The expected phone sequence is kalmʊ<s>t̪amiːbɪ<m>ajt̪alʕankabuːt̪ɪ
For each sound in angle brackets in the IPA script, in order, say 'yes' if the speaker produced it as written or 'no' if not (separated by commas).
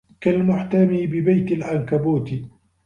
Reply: no, no